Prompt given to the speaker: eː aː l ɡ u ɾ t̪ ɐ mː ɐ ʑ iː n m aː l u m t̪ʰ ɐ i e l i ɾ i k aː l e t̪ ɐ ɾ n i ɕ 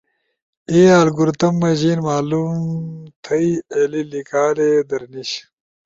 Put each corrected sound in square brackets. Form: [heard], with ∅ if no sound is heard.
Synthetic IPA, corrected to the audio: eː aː l ɡ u ɾ t̪ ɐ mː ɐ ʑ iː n m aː l u m t̪ʰ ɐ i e l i [l] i k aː l e [d̪] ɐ ɾ n i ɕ